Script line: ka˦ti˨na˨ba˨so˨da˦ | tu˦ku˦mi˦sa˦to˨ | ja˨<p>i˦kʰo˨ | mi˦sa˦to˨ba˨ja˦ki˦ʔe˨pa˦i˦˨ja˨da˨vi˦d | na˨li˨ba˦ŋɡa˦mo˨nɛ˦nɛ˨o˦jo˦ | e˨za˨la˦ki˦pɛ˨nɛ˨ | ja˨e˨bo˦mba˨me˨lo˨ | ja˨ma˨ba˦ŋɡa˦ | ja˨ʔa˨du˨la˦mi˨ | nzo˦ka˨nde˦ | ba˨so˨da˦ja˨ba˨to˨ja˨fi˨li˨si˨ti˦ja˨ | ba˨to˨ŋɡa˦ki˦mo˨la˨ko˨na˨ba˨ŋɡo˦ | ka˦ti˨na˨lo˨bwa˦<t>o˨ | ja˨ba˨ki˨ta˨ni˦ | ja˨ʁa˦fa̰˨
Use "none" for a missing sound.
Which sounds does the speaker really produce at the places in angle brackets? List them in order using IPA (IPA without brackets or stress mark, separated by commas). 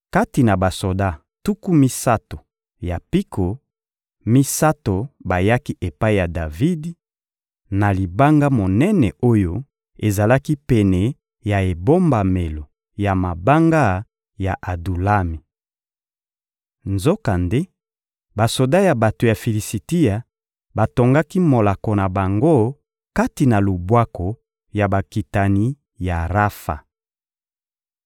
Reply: p, k